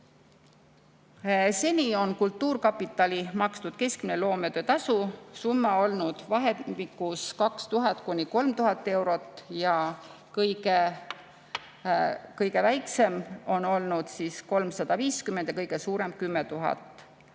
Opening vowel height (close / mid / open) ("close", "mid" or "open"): mid